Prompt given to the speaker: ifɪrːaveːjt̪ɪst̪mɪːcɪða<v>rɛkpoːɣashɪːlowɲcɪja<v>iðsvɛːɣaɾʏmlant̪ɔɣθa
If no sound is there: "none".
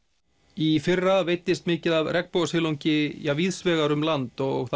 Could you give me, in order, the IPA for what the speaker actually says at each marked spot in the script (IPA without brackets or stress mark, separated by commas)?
v, v